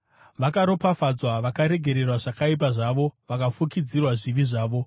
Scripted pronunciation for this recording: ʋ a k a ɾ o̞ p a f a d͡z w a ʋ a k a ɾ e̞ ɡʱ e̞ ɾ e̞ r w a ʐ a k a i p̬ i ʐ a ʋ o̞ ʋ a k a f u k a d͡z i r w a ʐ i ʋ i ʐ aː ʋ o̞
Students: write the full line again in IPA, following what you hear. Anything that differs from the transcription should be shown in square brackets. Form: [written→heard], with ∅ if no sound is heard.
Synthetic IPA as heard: ʋ a k a ɾ o̞ p a f a d͡z w a ʋ a k a ɾ e̞ ɡʱ e̞ ɾ e̞ r w a ʐ a k a i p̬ [i→a] ʐ a ʋ o̞ ʋ a k a f u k [a→i] d͡z i r w a ʐ i ʋ i ʐ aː ʋ o̞